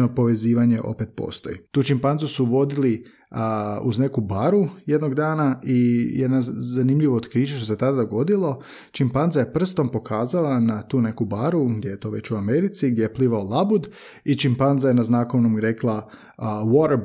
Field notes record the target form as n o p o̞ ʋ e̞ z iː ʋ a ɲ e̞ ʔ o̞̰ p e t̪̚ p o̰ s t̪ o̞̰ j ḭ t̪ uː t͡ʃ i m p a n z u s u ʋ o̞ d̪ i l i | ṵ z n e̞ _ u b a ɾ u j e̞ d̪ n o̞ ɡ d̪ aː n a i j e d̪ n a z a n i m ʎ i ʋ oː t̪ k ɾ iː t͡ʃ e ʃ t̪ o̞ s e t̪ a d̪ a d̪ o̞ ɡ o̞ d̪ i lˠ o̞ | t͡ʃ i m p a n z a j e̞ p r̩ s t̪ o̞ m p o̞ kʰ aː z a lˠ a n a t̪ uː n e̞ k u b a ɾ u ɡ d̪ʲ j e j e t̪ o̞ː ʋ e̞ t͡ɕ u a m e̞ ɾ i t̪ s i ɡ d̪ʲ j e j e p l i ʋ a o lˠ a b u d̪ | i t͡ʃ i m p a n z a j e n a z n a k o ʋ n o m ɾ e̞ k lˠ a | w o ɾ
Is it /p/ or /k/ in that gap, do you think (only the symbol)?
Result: k